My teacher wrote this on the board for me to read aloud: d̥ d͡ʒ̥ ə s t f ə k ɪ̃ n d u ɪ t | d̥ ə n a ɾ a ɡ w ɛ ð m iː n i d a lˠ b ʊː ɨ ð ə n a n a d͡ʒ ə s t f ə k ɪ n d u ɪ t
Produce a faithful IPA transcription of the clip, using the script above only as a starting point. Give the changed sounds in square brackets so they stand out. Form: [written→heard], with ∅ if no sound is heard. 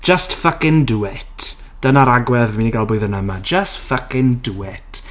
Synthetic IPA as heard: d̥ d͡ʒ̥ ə s t f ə k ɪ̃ n d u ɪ t | d̥ ə n a ɾ a ɡ w ɛ ð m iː n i [d→ɡ] a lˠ b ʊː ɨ ð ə n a [n→m] a d͡ʒ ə s t f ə k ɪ n d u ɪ t

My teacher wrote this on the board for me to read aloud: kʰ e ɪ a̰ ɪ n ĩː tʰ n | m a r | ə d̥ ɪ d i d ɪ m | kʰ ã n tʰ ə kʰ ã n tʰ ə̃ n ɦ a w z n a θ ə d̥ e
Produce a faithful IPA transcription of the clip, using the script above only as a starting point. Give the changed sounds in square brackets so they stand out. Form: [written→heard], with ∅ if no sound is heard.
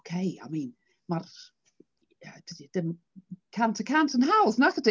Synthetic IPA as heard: kʰ e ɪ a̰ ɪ [n→m] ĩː [tʰ→∅] n | m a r | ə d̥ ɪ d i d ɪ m | kʰ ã n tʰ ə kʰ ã n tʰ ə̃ n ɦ a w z n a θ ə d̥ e

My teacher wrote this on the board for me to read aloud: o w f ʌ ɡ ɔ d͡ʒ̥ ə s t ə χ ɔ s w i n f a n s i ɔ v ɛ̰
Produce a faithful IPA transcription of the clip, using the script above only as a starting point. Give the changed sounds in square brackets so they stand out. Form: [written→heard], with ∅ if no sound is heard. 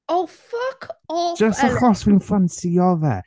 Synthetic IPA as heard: o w f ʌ [ɡ→k] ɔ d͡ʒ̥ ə s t ə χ ɔ s w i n f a n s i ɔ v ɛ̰

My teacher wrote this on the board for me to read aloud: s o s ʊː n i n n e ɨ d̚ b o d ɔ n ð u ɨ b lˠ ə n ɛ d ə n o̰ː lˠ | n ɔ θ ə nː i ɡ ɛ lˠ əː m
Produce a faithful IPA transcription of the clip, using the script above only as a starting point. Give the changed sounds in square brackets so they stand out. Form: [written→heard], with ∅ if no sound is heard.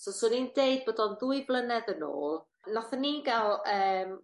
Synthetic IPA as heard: s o s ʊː n i n [n→d] e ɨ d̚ b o d ɔ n ð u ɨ b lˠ ə n ɛ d ə n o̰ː lˠ | n ɔ θ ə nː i ɡ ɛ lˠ əː m

